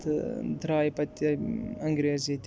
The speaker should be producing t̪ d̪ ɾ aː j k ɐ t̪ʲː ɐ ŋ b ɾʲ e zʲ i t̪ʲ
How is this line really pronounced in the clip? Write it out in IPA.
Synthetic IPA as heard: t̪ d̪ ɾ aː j p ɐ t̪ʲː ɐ ŋ ɡ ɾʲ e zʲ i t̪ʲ